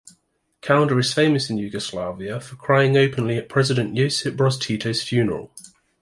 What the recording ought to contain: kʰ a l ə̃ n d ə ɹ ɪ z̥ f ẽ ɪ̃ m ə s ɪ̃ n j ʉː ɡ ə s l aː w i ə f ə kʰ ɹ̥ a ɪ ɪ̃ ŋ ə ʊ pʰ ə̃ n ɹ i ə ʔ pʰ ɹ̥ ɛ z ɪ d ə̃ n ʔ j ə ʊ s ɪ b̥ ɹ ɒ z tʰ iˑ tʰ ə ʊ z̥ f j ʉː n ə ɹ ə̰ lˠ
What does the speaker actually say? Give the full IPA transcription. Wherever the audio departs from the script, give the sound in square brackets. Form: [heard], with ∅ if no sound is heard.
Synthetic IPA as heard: kʰ a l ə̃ n d ə ɹ ɪ z̥ f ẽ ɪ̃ m ə s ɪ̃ n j ʉː ɡ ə s l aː [v] i ə f ə kʰ ɹ̥ a ɪ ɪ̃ ŋ ə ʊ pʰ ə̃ n [l] i ə ʔ pʰ ɹ̥ ɛ z ɪ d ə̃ n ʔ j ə ʊ s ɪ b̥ ɹ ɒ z tʰ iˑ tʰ ə ʊ z̥ f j ʉː n ə ɹ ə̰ lˠ